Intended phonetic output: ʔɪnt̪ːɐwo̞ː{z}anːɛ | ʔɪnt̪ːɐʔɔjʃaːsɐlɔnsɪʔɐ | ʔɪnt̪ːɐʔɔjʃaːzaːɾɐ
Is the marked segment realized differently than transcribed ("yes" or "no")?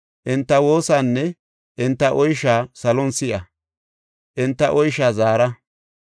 yes